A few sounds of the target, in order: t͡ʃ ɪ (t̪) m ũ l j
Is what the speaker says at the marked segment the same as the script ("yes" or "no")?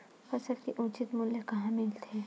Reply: yes